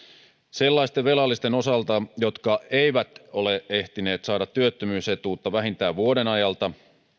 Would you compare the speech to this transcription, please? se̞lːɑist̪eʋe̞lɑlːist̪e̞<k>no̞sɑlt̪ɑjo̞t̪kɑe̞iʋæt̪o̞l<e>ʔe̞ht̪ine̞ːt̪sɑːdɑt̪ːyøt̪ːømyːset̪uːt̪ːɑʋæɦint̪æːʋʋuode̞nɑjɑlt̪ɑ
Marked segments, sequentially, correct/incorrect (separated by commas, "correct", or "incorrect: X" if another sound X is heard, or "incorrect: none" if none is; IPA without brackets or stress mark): incorrect: none, correct